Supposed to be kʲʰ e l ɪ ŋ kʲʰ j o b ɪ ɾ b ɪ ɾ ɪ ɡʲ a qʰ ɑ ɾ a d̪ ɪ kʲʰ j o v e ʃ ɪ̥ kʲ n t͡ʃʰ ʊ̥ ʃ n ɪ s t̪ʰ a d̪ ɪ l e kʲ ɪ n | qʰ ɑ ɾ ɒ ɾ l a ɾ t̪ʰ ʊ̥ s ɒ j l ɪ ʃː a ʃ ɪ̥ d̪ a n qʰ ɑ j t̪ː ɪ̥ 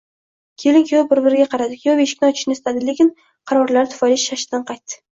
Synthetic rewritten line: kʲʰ e l ɪ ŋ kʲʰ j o b ɪ ɾ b ɪ ɾ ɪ ɡʲ a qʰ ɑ ɾ a d̪ ɪ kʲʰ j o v e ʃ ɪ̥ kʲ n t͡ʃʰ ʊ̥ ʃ n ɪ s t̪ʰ a d̪ ɪ l e kʲ ɪ n | qʰ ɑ ɾ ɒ ɾ l a ɾ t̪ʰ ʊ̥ f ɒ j l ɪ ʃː a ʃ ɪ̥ d̪ a n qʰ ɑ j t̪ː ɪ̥

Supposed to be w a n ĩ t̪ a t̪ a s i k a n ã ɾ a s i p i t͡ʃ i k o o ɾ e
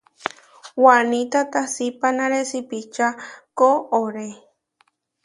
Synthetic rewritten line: w a n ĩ t̪ a t̪ a s i p a n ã ɾ e s i p i t͡ʃ a k o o ɾ e

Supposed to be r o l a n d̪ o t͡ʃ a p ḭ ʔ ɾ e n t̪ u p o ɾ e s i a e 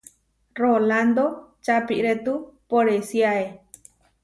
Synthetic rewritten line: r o l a n d̪ o t͡ʃ a p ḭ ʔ ɾ e t̪ u p o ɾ e s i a e

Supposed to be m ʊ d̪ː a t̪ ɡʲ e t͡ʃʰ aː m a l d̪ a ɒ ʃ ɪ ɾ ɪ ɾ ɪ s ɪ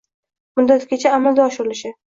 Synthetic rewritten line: m ʊ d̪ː a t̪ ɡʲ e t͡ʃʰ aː m a l d̪ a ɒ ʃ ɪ ɾ ɪ l ɪ ʃ ɪ

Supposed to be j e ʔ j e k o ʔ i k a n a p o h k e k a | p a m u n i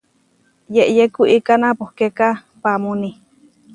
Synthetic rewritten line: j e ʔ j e k u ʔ i k a n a p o h k e k a | p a m u n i

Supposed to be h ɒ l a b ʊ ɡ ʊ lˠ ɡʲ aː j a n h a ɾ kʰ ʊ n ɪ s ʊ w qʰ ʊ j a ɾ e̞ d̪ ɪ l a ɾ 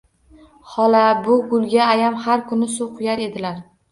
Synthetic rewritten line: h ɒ l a b ʊ ɡ ʊ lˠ ɡʲ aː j a m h a ɾ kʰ ʊ n ɪ s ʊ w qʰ ʊ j a ɾ e̞ d̪ ɪ l a ɾ

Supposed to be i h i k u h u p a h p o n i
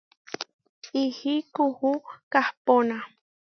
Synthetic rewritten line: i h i k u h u k a h p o n a

